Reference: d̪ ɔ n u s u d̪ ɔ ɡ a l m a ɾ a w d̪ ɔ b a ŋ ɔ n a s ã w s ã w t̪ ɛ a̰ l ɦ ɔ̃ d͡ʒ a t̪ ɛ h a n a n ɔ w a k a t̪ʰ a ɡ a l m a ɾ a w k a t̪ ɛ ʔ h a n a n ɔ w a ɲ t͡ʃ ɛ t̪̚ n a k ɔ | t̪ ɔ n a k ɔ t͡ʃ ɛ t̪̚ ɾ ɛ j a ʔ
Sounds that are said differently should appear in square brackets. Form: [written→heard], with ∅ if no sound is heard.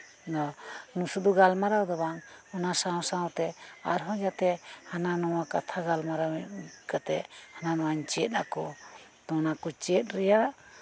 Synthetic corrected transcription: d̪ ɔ n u s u d̪ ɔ ɡ a l m a ɾ a w d̪ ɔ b a ŋ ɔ n a s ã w s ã w t̪ ɛ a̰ [l→ɾ] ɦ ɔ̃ d͡ʒ a t̪ ɛ h a n a n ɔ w a k a t̪ʰ a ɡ a l m a ɾ a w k a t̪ ɛ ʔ h a n a n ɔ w a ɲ t͡ʃ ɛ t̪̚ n a k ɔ | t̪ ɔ n a k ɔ t͡ʃ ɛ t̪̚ ɾ ɛ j a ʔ